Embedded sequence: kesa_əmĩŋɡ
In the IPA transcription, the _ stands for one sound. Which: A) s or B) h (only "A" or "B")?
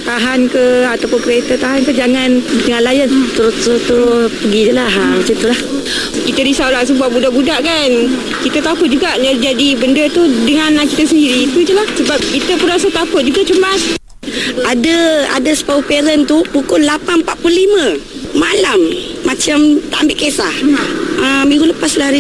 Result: B